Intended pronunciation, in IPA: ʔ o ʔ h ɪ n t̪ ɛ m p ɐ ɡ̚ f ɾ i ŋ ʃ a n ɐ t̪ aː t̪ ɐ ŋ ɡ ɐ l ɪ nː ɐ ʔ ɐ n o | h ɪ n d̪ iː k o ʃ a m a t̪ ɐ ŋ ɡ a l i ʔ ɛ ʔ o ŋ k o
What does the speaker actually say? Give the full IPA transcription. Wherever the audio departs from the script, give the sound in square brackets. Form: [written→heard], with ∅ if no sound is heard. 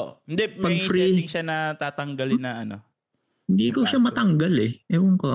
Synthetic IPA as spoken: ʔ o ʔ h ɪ n [t̪→d̪] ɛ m p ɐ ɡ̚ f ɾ i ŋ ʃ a n ɐ t̪ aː t̪ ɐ ŋ ɡ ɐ l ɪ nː ɐ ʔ ɐ n o | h ɪ n d̪ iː k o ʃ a m [a→ɐ] t̪ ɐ ŋ ɡ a l [i→ɛ] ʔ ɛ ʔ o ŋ k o